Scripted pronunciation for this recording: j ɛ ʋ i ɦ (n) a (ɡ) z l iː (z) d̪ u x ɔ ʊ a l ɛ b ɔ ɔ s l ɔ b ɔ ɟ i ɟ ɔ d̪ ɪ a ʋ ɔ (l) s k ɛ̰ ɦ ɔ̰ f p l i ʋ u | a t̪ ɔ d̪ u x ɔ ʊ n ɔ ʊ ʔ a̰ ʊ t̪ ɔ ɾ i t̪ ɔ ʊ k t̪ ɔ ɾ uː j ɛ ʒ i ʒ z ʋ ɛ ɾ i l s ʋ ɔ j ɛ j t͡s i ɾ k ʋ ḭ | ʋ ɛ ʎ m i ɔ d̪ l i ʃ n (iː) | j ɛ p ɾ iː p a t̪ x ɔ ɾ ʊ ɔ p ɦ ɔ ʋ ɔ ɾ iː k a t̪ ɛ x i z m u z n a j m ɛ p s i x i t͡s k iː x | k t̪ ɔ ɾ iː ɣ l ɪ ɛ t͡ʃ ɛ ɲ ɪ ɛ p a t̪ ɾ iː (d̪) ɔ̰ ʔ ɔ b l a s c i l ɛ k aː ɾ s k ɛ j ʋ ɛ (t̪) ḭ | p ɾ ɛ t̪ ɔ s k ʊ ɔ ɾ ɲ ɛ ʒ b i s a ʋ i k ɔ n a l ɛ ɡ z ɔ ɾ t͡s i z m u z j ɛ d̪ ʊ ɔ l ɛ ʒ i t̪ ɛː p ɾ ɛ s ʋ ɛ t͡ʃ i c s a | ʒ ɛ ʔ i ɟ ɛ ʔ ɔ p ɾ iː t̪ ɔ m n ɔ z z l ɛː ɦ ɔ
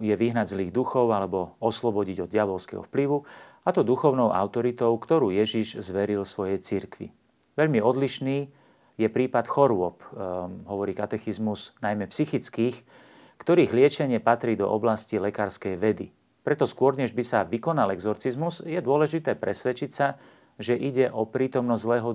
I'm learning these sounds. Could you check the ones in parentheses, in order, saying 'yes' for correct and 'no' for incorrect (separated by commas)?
yes, no, no, yes, yes, yes, no